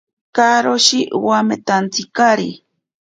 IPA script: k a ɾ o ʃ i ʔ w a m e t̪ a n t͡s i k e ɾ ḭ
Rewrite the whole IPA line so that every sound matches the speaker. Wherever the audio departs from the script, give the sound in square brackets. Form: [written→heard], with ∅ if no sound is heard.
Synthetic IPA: k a ɾ o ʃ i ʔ w a m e t̪ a n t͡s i k [e→a] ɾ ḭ